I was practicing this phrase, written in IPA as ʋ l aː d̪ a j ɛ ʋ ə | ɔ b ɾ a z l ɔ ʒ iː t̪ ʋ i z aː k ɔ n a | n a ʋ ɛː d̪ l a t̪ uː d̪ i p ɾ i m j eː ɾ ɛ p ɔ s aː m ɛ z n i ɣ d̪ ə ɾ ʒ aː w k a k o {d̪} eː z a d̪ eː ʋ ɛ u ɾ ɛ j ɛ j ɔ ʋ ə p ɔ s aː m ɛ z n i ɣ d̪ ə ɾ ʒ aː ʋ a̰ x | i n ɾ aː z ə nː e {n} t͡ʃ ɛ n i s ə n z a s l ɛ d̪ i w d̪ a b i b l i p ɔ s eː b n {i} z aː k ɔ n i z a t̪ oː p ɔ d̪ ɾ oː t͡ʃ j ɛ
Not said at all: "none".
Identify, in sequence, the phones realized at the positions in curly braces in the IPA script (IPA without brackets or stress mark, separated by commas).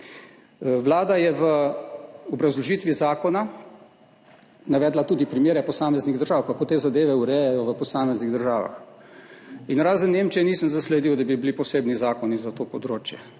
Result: t̪, m, i